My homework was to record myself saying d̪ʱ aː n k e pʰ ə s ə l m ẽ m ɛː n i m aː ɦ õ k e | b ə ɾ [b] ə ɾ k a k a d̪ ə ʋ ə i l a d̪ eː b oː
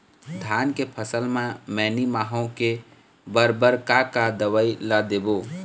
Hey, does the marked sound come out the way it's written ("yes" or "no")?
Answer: yes